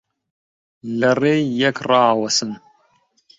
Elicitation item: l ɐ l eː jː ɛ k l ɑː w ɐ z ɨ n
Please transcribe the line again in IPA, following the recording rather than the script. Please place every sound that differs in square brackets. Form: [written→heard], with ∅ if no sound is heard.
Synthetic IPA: l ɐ [l→r] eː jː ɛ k [l→r] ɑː w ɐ [z→s] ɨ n